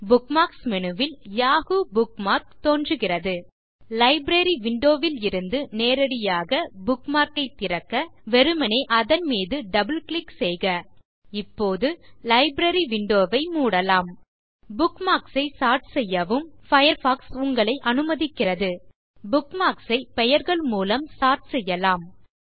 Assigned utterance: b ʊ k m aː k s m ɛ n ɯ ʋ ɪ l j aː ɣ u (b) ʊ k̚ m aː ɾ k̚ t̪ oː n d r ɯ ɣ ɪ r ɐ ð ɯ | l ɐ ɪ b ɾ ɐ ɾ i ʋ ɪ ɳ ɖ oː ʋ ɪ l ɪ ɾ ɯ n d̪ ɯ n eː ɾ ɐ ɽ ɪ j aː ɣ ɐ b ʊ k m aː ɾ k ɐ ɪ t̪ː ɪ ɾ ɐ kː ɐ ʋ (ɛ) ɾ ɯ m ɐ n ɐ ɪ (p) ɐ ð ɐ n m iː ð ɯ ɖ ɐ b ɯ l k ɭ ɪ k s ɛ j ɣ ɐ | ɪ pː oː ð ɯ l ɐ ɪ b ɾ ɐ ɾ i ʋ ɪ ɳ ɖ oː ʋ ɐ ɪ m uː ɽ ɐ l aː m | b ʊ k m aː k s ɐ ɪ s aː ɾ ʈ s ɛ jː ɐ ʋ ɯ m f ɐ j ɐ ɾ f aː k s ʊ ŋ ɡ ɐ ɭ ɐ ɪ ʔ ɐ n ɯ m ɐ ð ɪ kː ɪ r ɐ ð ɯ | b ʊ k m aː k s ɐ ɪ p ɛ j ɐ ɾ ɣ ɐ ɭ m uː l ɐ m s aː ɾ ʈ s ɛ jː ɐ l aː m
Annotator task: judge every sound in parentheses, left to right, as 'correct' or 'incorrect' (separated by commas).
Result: correct, correct, incorrect